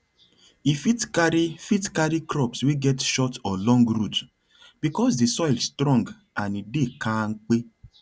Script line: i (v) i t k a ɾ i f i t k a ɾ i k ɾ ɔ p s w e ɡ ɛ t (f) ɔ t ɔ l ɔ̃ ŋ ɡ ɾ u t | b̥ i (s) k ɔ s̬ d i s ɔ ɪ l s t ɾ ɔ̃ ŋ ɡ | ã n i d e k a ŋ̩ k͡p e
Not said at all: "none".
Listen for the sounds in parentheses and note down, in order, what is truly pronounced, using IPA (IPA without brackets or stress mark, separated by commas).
f, ʃ, none